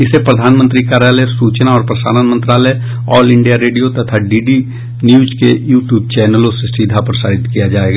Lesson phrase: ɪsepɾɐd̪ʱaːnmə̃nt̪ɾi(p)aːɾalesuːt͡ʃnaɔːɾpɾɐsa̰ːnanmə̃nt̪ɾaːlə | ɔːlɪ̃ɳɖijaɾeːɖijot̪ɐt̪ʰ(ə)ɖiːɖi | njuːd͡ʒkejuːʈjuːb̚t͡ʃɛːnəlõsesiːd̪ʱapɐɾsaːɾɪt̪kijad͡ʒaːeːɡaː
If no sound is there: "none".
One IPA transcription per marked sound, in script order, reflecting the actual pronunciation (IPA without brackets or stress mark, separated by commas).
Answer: k, a